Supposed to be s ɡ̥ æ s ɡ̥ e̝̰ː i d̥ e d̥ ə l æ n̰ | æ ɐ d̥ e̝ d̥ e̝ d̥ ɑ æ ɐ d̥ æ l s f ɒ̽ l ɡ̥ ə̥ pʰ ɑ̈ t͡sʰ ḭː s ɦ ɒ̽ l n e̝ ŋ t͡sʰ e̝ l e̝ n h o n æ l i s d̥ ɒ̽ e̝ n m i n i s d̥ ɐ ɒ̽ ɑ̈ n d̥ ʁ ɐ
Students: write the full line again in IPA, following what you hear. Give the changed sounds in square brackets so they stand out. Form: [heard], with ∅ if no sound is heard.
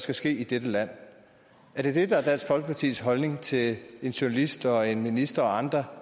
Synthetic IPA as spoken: s ɡ̥ æ s ɡ̥ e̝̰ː i d̥ e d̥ ə l æ n̰ | æ ɐ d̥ e̝ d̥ e̝ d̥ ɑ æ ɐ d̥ æ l s f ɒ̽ l ɡ̥ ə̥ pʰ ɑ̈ t͡sʰ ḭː s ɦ ɒ̽ l n e̝ ŋ t͡sʰ e̝ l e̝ n [ɕ] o n æ l i s d̥ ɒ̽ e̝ n m i n i s d̥ ɐ ɒ̽ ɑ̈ n d̥ ʁ ɐ